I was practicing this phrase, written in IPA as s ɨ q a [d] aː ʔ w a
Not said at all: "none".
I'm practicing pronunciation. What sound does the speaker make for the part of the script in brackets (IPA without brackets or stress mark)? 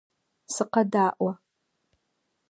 d